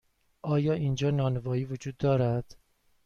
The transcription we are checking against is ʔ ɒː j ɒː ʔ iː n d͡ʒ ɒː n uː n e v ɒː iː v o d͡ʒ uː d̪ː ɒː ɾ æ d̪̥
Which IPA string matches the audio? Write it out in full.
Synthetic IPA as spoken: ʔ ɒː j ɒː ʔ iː n d͡ʒ ɒː n ɒː n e v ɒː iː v o d͡ʒ uː d̪ː ɒː ɾ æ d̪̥